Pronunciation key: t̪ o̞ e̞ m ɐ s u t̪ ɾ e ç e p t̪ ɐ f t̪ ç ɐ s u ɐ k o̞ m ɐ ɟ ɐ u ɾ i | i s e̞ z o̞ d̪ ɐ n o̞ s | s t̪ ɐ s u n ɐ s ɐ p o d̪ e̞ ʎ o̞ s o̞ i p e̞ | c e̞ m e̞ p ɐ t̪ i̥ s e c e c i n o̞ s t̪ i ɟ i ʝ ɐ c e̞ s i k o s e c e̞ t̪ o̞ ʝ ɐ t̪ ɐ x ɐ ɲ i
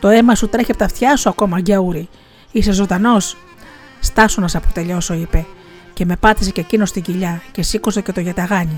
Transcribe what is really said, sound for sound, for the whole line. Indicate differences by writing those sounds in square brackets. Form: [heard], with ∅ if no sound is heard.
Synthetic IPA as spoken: t̪ o̞ e̞ m ɐ s u t̪ ɾ e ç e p t̪ ɐ f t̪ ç ɐ s u ɐ k o̞ m ɐ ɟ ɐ u ɾ i | i s e̞ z o̞ d̪ ɐ n o̞ s | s t̪ ɐ s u n ɐ s ɐ p o [t̪] e̞ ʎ o̞ s o̞ i p e̞ | c e̞ m e̞ p ɐ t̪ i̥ s e c e c i n o̞ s t̪ i ɟ i [ʎ] ɐ c e̞ s i k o s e c e̞ t̪ o̞ ʝ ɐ t̪ ɐ [ɣ] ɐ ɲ i